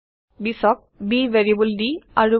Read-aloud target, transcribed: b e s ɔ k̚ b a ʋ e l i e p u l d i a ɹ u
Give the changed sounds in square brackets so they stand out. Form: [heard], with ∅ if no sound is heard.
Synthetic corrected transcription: b [i] s ɔ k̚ b [i] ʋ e [ɹ] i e [b] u l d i a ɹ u

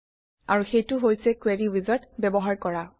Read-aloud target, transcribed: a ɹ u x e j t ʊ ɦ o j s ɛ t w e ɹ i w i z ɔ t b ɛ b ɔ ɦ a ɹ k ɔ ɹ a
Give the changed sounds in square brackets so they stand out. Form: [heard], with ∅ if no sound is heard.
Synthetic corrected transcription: a ɹ u x e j t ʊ ɦ o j s ɛ [k] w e ɹ i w i z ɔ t b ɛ b ɔ ɦ a ɹ k ɔ ɹ a

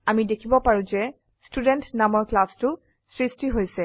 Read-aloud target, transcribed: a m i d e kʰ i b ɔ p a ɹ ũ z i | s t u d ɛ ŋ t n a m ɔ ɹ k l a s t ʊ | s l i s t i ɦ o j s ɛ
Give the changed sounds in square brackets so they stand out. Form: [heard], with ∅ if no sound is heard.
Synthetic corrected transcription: a m i d e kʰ i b ɔ p a ɹ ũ z [ɛ] | s t u d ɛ [n] t n a m ɔ ɹ k l a s t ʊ | s [ɹ] i s t i ɦ o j s ɛ

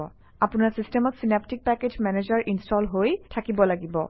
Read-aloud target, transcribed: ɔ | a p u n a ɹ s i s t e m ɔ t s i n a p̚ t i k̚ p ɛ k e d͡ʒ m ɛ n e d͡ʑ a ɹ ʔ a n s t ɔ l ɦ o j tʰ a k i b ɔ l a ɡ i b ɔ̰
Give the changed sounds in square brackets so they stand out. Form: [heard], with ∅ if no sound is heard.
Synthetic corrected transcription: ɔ | a p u n a ɹ s i s t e m ɔ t s i n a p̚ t i k̚ p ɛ k e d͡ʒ m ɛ n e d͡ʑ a ɹ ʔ [i] n s t ɔ l ɦ o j tʰ a k i b ɔ l a ɡ i b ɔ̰

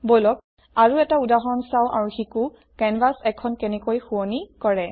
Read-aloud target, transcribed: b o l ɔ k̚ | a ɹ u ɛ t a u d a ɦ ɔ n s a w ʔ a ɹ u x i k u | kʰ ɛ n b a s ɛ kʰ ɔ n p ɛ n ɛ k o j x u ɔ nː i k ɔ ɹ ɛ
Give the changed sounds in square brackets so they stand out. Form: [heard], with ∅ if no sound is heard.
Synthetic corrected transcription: b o l ɔ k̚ | a ɹ u ɛ t a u d a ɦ ɔ n s a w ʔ a ɹ u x i k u | [k] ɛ n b a s ɛ kʰ ɔ n [k] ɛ n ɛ k o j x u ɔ [n] i k ɔ ɹ ɛ

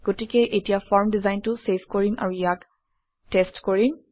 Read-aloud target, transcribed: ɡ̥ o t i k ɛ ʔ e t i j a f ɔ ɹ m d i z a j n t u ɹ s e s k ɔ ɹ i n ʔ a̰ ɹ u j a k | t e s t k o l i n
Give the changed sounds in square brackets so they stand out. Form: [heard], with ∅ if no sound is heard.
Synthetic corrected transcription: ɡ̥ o t i k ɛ ʔ e t i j a f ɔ ɹ m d i z a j n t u [∅] s e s k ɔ ɹ i n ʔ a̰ ɹ u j a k | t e s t k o [ɹ] i n

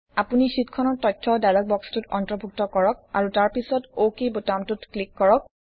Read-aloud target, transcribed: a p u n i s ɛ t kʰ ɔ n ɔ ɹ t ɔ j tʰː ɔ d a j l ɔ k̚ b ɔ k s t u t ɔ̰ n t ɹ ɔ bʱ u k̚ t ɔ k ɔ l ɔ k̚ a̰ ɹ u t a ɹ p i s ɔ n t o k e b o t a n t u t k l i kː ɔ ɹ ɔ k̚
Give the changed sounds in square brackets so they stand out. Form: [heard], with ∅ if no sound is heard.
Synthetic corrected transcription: a p u n i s [i] t kʰ ɔ n ɔ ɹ t ɔ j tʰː ɔ d a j l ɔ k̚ b ɔ k s t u t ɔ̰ n t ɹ ɔ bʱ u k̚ t ɔ k ɔ [ɹ] ɔ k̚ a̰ ɹ u t a ɹ p i s ɔ [∅] t o k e b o t a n t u t k l i kː ɔ ɹ ɔ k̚

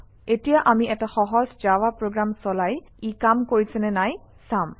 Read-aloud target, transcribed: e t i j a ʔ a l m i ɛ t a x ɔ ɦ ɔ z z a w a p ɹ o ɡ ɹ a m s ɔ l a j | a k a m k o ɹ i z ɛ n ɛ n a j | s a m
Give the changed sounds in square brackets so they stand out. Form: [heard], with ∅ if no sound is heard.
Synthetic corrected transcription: e t i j a ʔ a [∅] m i ɛ t a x ɔ ɦ ɔ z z a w a p ɹ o ɡ ɹ a m s ɔ l a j | [i] k a m k o ɹ i [s] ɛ n ɛ n a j | s a m

